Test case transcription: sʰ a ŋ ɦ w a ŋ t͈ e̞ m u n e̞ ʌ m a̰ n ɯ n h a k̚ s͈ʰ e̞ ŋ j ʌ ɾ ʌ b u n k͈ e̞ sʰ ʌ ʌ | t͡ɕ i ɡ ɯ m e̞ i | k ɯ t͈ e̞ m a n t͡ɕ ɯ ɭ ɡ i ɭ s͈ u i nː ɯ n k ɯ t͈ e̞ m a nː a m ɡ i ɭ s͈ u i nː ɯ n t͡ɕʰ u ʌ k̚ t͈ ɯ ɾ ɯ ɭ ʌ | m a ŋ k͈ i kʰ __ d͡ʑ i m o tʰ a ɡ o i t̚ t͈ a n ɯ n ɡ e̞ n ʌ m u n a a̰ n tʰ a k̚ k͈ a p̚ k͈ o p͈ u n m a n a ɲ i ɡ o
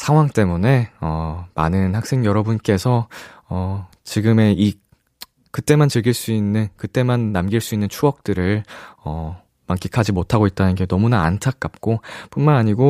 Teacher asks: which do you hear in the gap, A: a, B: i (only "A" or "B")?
A